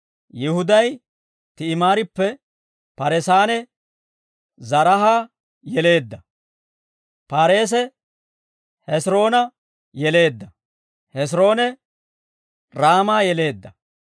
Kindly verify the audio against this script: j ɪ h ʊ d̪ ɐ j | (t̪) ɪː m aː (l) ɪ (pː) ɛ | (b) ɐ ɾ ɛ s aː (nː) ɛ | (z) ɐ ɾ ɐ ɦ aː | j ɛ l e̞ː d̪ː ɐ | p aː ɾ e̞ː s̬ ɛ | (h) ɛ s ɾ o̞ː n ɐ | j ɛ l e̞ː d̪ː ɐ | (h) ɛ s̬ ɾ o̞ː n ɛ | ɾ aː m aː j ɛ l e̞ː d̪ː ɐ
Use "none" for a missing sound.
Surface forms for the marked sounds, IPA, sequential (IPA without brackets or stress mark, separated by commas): t̪, ɾ, pː, p, n, z, h, h